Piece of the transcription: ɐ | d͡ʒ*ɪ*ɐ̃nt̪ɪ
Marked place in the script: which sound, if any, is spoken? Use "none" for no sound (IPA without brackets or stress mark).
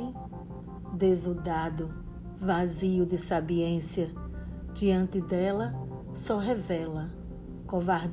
i